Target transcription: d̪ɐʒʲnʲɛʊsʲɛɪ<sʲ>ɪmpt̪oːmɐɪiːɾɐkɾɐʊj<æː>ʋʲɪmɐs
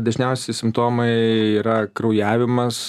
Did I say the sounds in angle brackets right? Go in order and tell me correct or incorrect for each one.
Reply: correct, correct

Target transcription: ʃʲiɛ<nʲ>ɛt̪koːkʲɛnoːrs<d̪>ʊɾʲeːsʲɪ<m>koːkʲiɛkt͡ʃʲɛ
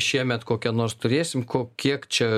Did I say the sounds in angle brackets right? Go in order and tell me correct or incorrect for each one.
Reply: incorrect: mʲ, incorrect: t̪, correct

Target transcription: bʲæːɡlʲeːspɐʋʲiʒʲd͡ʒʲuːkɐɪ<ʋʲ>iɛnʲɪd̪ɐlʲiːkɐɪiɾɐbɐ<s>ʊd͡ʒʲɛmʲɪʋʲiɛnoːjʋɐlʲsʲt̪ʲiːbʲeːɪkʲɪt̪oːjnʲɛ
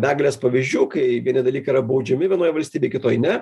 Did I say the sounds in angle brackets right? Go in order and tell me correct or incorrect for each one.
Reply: correct, incorrect: none

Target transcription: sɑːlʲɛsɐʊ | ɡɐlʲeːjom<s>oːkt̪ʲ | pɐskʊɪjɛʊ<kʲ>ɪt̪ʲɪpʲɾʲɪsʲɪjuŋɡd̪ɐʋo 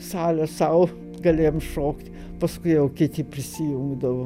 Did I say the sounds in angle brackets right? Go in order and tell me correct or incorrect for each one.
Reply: incorrect: ʃ, correct

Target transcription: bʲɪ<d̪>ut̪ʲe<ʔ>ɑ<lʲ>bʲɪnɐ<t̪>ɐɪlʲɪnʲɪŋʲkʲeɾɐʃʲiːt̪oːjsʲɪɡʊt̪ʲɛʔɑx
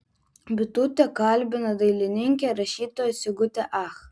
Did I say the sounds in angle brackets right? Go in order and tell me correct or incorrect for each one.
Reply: incorrect: t̪, incorrect: k, correct, incorrect: d̪

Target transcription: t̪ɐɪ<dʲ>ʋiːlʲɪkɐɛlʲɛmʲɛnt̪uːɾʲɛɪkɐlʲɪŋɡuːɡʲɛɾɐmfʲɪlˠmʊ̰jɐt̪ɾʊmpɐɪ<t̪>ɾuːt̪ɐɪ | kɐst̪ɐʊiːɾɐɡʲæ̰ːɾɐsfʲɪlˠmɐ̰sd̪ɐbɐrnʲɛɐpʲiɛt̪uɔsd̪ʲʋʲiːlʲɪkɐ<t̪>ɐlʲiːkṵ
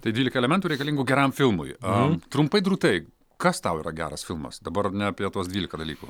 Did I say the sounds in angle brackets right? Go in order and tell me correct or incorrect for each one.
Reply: correct, incorrect: d̪, incorrect: d̪

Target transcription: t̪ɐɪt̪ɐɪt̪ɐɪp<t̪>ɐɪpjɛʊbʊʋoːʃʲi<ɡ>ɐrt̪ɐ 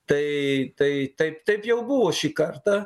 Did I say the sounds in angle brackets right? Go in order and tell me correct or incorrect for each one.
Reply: correct, incorrect: k

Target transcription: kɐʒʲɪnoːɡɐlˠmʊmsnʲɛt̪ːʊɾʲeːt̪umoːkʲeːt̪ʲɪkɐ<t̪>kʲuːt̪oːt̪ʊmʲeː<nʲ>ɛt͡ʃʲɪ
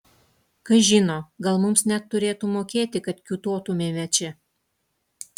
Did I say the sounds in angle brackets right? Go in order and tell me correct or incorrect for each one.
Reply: correct, incorrect: mʲ

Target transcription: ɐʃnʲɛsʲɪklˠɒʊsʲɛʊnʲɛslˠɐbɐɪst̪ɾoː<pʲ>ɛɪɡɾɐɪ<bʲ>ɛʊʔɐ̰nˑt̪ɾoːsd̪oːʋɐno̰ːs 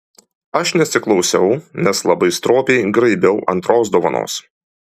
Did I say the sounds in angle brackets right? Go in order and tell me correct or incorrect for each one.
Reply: correct, correct

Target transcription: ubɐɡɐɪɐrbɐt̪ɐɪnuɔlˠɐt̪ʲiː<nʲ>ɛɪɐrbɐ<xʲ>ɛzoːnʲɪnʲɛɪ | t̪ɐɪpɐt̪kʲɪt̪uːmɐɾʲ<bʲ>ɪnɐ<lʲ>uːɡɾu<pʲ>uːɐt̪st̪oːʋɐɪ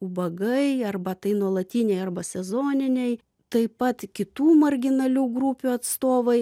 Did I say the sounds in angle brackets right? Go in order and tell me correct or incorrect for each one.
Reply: correct, incorrect: sʲ, incorrect: ɡʲ, correct, correct

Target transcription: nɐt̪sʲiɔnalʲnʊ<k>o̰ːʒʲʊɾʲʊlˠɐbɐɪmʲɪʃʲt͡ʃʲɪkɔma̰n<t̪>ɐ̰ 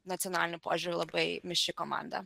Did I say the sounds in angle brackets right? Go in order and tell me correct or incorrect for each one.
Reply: incorrect: p, incorrect: d̪

